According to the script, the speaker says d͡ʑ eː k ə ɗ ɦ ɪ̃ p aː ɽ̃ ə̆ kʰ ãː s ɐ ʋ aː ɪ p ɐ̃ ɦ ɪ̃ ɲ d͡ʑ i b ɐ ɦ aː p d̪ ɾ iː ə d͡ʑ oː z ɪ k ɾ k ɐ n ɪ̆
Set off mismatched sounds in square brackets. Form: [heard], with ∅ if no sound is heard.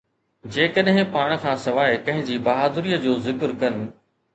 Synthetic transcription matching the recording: d͡ʑ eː k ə ɗ ɦ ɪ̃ p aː ɽ̃ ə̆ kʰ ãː s ɐ ʋ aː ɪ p ɐ̃ ɦ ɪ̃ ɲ d͡ʑ i b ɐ ɦ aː [∅] d̪ ɾ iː ə d͡ʑ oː z ɪ k ɾ k ɐ n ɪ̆